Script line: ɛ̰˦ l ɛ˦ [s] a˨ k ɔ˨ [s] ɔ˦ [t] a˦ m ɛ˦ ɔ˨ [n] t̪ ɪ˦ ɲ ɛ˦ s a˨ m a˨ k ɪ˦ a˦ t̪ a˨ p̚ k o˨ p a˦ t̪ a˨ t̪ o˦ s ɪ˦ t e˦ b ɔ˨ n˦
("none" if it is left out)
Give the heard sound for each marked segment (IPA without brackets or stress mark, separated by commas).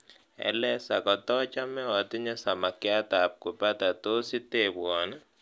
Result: s, t, t͡ʃ, none